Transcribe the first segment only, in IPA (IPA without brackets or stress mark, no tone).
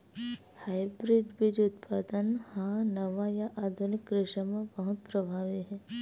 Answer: h